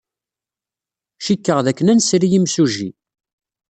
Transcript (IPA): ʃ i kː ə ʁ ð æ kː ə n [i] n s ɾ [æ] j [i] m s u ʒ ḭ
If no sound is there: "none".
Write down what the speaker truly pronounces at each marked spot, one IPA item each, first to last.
æ, i, i

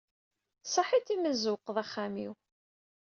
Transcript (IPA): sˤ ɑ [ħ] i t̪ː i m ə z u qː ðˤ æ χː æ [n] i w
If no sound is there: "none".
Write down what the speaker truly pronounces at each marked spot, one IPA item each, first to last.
ħ, m

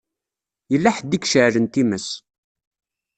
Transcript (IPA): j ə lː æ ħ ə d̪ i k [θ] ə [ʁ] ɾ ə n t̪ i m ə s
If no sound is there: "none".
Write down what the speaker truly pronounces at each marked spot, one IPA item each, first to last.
ʃ, ʕ

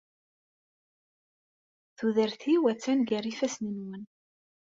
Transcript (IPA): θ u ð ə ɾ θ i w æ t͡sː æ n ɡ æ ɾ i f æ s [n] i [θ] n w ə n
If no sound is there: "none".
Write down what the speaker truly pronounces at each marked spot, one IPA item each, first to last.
n, none

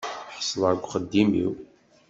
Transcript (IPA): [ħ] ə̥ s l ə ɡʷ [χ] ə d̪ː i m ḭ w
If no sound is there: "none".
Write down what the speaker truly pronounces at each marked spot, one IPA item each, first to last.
ħ, χ

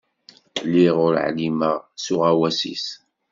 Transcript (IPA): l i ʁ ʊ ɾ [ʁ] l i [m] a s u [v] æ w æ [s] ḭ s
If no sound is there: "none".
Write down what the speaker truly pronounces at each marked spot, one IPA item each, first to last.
ʕ, m, ʁ, s

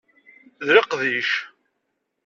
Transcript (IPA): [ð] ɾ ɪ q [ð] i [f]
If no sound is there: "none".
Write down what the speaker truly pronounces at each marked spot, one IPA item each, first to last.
ð, ð, ʃ

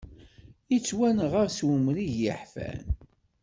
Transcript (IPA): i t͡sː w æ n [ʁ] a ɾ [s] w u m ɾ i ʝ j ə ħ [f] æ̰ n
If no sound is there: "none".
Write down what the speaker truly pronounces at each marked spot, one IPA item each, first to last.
ʁ, s, f

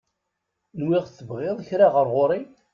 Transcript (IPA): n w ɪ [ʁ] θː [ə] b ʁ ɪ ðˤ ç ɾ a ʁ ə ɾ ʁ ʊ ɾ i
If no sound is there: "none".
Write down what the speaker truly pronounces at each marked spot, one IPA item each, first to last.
ʁ, ə

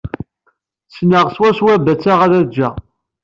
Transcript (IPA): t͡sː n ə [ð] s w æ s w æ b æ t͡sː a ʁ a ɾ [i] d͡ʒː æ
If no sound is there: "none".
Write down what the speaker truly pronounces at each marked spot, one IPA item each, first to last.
ʁ, æ

